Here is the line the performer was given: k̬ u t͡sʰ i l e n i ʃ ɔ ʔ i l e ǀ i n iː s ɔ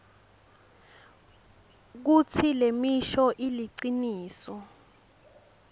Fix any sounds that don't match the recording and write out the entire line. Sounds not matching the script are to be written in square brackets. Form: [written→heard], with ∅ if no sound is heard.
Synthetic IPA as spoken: k̬ u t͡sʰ i l e [n→m] i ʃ ɔ ʔ i l [e→i] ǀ i n iː s ɔ